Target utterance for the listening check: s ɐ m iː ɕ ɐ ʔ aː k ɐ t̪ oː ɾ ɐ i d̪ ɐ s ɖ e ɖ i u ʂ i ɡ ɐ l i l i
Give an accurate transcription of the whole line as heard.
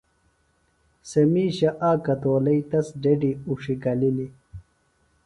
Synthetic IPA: s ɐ m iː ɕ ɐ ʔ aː k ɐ t̪ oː l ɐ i t̪ ɐ s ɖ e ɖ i u ʂ i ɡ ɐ l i l i